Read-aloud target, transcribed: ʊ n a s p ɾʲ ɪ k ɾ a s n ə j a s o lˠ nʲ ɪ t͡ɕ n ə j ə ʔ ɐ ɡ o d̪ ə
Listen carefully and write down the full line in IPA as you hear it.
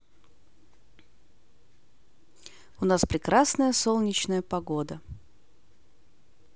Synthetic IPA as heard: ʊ n a s p ɾʲ ɪ k ɾ a s n ə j ə s o lˠ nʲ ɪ t͡ɕ n ə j ə p ɐ ɡ o d̪ ə

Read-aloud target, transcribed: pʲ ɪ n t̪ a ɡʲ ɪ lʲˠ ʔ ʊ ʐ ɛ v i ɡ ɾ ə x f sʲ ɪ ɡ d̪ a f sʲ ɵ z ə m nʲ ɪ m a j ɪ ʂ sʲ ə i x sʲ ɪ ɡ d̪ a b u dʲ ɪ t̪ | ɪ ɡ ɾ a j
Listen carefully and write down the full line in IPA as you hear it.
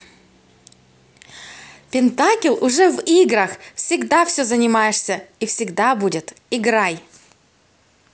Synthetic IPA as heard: pʲ ɪ n t̪ a kʲ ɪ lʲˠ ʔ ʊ ʐ ɛ v i ɡ ɾ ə x f sʲ ɪ ɡ d̪ a f sʲ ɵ z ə nʲ ɪ m a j ɪ ʂ sʲ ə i f sʲ ɪ ɡ d̪ a b u dʲ ɪ t̪ | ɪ ɡ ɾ a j

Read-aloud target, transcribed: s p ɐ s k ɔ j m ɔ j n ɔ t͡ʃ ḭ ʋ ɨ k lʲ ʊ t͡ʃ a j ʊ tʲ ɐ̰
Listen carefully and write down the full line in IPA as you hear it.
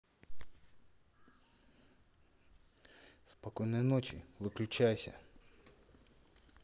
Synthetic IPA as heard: s p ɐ k ɔ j n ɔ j n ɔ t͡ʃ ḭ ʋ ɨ k lʲ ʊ t͡ʃ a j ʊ sʲ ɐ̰

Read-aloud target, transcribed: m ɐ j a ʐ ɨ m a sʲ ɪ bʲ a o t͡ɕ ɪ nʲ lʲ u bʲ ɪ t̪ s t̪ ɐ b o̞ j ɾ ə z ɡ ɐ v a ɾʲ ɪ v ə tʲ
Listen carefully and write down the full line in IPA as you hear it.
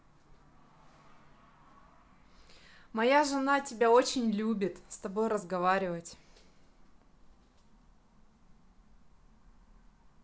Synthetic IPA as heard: m ɐ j a ʐ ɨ n a tʲ ɪ bʲ a o t͡ɕ ɪ nʲ lʲ u bʲ ɪ t̪ s t̪ ɐ b o̞ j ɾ ə z ɡ ɐ v a ɾʲ ɪ v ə tʲ

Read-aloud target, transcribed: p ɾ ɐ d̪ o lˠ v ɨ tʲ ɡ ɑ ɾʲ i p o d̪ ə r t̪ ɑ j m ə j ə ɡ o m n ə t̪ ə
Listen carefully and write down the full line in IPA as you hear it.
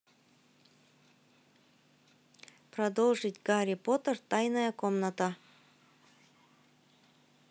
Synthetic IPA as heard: p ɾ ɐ d̪ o lˠ ʐ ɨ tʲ ɡ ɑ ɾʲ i p o t̪ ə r t̪ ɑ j n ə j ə k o m n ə t̪ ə

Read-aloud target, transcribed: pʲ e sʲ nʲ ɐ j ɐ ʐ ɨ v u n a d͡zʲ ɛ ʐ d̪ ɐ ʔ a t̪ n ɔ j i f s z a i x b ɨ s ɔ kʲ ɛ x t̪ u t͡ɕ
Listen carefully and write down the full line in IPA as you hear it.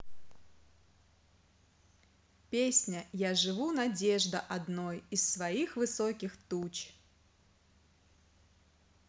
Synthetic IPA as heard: pʲ e sʲ nʲ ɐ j a ʐ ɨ v u n a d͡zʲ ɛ ʐ d̪ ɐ ʔ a d̪ n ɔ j i s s v a i x v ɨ s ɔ kʲ i x t̪ u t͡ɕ

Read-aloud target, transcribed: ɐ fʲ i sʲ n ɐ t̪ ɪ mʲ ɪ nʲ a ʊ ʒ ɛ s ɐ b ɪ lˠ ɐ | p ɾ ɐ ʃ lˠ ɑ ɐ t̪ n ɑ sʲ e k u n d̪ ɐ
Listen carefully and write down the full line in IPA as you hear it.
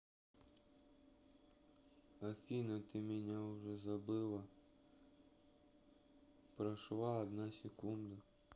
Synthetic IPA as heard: ɐ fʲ i n ɐ t̪ ɪ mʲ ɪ nʲ a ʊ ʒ ɛ z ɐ b ɪ lˠ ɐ | p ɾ ɐ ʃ lˠ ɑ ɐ d̪ n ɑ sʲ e k u n d̪ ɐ

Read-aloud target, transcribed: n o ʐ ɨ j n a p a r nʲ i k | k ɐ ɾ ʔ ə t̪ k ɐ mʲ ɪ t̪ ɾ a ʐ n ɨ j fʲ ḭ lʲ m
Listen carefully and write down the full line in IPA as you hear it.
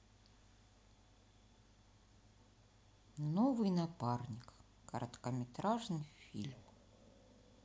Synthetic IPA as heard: n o v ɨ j n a p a r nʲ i k | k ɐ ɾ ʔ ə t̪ k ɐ mʲ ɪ t̪ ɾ a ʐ n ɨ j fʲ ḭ lʲ m

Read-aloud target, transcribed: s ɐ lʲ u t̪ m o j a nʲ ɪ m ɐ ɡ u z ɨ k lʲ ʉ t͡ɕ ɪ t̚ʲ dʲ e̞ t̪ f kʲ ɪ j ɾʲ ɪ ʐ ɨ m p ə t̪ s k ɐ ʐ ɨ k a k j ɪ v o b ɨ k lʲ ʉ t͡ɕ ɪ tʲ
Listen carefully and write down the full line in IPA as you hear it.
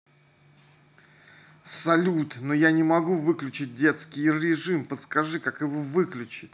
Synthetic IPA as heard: s ɐ lʲ u t̪ n o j a nʲ ɪ m ɐ ɡ u v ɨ k lʲ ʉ t͡ɕ ɪ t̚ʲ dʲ e̞ t̪ s kʲ ɪ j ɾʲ ɪ ʐ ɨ m p ə t̪ s k ɐ ʐ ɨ k a k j ɪ v o v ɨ k lʲ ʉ t͡ɕ ɪ tʲ

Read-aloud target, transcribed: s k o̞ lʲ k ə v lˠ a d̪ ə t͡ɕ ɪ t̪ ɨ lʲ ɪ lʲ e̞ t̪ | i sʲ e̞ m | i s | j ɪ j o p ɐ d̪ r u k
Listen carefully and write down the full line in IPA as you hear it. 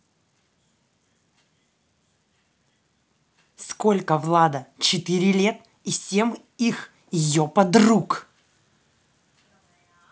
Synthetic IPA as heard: s k o̞ lʲ k ə v lˠ a d̪ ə t͡ɕ ɪ t̪ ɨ ɾʲ ɪ lʲ e̞ t̪ | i sʲ e̞ m | i x | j ɪ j o p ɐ d̪ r u k

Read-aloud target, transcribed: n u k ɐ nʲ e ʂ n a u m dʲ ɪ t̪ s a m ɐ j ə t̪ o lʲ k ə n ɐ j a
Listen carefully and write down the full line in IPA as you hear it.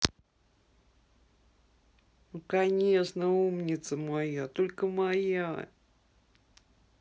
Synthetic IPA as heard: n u k ɐ nʲ e ʂ n ə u m nʲ ɪ t̪ s ə m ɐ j a t̪ o lʲ k ə m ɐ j a

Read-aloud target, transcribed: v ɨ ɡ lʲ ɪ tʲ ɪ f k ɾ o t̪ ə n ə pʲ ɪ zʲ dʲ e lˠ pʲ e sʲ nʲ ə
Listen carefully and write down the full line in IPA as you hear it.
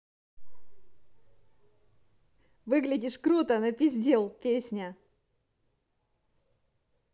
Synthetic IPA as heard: v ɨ ɡ lʲ ɪ dʲ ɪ ʂ k ɾ u t̪ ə n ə pʲ ɪ zʲ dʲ e lˠ pʲ e sʲ nʲ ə

